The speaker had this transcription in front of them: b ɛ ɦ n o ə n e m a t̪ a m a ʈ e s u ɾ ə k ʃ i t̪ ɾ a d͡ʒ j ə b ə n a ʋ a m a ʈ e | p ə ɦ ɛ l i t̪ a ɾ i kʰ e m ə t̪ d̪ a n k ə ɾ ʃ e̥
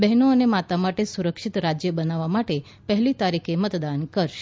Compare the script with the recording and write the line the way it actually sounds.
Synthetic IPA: b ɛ ɦ n o ə n e m a t̪ a m a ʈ e s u ɾ ə k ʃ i t̪ ɾ a d͡ʒ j ə b ə n a ʋ a m a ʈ e | p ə ɦ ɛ l i t̪ a ɾ i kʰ e m ə t̪ d̪ a n k ə ɾ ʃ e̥